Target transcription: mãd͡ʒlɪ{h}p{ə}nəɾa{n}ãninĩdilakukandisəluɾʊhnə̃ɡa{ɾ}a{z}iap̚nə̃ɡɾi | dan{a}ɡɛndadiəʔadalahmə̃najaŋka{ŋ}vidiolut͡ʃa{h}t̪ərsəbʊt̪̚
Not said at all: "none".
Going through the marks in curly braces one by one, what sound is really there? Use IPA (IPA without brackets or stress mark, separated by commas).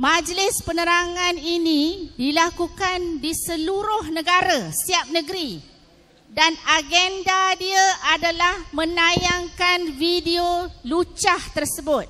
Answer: s, ə, ŋ, ɾ, s, a, n, h